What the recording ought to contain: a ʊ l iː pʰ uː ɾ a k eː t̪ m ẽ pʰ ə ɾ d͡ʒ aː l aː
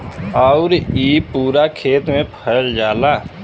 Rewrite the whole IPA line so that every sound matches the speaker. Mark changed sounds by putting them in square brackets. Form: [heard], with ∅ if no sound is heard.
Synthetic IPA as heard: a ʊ [ɾ] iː [p] uː ɾ a [kʰ] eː t̪ m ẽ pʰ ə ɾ d͡ʒ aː l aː

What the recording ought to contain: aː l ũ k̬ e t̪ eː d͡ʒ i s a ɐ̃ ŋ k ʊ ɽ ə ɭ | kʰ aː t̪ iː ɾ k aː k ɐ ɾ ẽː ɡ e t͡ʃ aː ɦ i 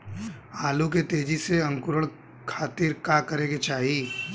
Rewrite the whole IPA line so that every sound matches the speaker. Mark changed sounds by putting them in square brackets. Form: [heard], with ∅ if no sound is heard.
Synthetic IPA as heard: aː l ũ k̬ e t̪ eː d͡ʒ i s [e] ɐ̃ ŋ k ʊ [ɾ] ə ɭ | kʰ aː t̪ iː ɾ k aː k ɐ ɾ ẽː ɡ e t͡ʃ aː ɦ i

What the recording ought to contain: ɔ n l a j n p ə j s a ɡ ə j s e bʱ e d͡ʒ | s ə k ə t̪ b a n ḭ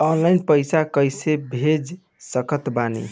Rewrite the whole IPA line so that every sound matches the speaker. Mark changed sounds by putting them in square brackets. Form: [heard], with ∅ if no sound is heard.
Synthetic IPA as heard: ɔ n l a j n p ə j s a [k] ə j s e bʱ e d͡ʒ | s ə k ə t̪ b a n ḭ

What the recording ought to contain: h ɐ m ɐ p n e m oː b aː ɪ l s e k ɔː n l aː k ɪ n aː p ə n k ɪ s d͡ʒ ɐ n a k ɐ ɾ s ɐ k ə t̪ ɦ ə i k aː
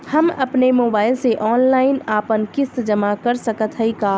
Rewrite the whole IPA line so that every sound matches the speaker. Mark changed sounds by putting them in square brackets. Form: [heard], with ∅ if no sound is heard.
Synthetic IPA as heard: h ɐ m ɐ p n e m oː b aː ɪ l s e [ʔ] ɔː n l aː [∅] ɪ n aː p ə n k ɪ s d͡ʒ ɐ [m] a k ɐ ɾ s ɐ k ə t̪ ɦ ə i k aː

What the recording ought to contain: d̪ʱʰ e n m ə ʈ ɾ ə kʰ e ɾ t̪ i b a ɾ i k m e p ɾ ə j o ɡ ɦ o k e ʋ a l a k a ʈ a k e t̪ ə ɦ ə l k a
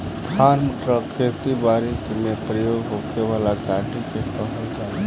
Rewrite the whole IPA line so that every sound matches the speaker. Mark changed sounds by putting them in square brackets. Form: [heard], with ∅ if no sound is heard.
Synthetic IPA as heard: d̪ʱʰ [a] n m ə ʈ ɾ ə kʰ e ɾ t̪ i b a ɾ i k m e p ɾ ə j o ɡ ɦ o k e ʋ a l a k a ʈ [i] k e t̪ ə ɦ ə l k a

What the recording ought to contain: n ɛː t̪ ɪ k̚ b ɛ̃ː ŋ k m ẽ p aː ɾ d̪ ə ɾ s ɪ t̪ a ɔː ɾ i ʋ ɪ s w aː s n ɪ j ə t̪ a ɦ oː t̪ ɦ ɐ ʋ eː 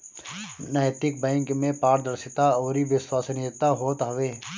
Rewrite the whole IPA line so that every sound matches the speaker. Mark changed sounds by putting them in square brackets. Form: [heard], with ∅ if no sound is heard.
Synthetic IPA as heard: n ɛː t̪ ɪ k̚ b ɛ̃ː ŋ k m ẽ p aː ɾ d̪ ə ɾ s ɪ t̪ a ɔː ɾ i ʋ ɪ s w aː s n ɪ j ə t̪ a ɦ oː t̪ ɦ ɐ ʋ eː

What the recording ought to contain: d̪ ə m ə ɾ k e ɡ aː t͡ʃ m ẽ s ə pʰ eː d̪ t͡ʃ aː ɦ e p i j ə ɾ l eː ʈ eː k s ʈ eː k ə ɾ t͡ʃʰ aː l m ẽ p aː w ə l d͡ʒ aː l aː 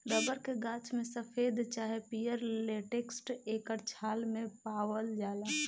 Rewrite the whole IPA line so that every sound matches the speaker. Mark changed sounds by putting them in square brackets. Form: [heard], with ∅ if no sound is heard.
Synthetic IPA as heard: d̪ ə [b] ə ɾ k e ɡ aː t͡ʃ m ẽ s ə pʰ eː d̪ t͡ʃ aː ɦ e p i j ə ɾ l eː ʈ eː k s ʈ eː k ə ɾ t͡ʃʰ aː l m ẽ p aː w ə l d͡ʒ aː l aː

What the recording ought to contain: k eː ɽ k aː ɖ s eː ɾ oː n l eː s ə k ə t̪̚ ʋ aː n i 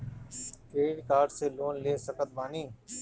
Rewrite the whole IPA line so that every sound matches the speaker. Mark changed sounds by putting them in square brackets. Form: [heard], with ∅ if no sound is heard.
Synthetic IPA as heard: k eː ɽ k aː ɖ s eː [l] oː n l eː s ə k ə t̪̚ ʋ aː n [iː]

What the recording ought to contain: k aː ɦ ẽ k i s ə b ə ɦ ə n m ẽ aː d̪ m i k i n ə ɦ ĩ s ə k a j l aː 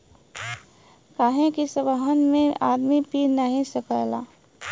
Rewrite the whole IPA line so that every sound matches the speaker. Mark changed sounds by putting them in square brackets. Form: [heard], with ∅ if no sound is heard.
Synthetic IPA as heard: k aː ɦ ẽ k i s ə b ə ɦ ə n m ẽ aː d̪ m i [p] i n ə ɦ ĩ s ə k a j l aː

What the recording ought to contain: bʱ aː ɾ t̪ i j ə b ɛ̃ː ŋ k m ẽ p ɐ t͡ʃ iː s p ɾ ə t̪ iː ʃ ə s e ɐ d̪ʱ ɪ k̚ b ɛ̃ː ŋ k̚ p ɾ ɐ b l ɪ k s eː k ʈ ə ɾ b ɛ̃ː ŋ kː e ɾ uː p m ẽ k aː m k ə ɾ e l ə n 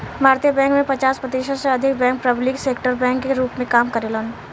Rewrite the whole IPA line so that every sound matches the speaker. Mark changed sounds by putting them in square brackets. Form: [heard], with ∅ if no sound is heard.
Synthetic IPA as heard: bʱ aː ɾ t̪ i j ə b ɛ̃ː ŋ k m ẽ p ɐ t͡ʃ [aː] s p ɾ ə t̪ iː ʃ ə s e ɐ d̪ʱ ɪ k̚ b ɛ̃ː ŋ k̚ p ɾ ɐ b l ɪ k s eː k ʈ ə ɾ b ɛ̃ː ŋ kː e ɾ uː p m ẽ k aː m k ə ɾ e l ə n

